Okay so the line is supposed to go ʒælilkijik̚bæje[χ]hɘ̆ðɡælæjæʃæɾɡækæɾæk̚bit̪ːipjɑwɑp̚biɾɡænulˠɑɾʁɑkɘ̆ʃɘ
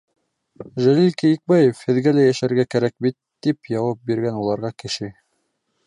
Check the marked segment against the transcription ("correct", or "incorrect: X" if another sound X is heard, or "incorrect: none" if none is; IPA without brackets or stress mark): incorrect: f